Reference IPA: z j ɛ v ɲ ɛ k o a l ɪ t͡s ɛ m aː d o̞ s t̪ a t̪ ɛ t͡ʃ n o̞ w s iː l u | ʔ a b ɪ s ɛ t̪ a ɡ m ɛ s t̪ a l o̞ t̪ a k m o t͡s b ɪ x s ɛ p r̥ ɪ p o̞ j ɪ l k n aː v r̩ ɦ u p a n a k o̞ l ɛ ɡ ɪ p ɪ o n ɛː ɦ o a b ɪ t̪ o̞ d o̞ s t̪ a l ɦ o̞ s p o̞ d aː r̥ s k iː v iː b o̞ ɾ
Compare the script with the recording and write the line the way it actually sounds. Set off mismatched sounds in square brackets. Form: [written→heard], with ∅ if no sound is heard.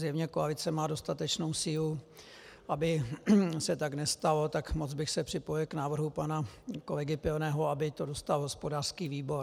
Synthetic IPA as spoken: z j ɛ v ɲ ɛ k o a l ɪ t͡s ɛ m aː d o̞ s t̪ a t̪ ɛ t͡ʃ n o̞ w s iː l u | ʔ a b ɪ s ɛ t̪ a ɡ [m→n] ɛ s t̪ a l o̞ t̪ a k m o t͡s b ɪ x s ɛ p r̥ ɪ p o̞ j ɪ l k n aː v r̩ ɦ u p a n a k o̞ l ɛ ɡ ɪ p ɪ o n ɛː ɦ o a b ɪ t̪ o̞ d o̞ s t̪ a l ɦ o̞ s p o̞ d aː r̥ s k iː v iː b o̞ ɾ